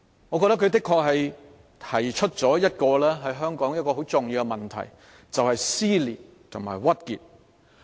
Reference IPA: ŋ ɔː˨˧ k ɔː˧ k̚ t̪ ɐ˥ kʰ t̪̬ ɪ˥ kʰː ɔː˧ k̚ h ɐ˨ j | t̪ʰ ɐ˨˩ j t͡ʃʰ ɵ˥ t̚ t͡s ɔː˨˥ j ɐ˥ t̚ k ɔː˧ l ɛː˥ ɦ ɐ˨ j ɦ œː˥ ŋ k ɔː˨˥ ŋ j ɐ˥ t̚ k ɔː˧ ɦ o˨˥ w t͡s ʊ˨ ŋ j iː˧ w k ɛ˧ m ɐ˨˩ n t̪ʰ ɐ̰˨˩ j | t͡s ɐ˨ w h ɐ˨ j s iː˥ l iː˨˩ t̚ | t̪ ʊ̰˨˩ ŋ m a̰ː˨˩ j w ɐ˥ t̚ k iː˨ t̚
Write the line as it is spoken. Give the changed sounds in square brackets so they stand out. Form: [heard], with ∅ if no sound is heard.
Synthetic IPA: ŋ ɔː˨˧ k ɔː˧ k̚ t̪ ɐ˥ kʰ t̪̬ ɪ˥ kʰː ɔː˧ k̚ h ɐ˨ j | t̪ʰ ɐ˨˩ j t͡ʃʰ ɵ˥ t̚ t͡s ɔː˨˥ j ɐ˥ t̚ k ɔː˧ l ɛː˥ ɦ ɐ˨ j ɦ œː˥ ŋ k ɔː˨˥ ŋ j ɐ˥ t̚ k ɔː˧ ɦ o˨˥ w t͡s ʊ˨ ŋ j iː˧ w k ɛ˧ m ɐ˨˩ n t̪ʰ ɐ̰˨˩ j | t͡s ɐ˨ w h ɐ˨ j s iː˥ l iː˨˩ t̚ | [t̪ʰ] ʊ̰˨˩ ŋ m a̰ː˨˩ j w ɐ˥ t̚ k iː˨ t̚